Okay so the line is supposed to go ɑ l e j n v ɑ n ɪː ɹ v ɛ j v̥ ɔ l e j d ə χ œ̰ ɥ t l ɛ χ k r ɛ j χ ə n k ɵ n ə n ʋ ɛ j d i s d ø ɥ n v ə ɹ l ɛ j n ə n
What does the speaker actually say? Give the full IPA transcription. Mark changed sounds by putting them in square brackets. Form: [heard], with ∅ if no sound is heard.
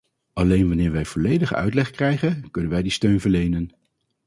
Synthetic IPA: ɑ l e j n [ʋ] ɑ n ɪː ɹ [ʋ] ɛ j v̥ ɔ l e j d ə χ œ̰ ɥ t l ɛ χ k r ɛ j χ ə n k ɵ n ə n ʋ ɛ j d i s [t] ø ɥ n v ə ɹ l [e] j n ə n